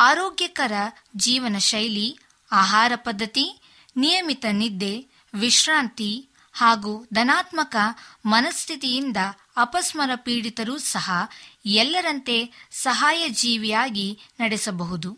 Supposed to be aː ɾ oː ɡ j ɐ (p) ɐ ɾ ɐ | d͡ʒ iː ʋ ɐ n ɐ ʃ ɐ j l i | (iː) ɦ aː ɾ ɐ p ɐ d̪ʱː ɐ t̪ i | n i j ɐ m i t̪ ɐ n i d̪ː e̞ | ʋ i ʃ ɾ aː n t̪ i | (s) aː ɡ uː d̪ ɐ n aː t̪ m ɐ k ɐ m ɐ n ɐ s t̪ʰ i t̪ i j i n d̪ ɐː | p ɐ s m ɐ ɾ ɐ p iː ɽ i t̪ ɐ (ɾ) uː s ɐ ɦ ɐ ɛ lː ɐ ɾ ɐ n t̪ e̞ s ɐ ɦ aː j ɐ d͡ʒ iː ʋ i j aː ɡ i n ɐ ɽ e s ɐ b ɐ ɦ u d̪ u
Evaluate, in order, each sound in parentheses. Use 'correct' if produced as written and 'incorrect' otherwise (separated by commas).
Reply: incorrect, incorrect, incorrect, correct